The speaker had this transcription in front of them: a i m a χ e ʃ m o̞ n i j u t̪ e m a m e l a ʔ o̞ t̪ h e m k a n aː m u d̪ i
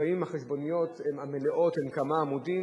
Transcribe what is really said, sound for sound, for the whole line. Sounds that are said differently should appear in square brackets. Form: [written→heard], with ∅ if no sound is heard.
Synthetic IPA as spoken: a i m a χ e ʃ [m→b] o̞ n i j [u→o] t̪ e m a m e l [a→e] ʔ o̞ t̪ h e m k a [n→m] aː m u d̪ i